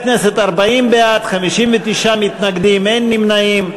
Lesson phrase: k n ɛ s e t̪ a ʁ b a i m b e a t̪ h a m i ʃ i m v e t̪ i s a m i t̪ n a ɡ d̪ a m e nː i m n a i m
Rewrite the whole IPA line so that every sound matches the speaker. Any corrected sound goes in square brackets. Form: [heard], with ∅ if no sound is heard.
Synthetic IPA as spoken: k n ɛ s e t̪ a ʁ b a i m b e a t̪ [χ] a m i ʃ i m v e t̪ i [ʃ] a m i t̪ n a ɡ d̪ [i] m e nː i m n a i m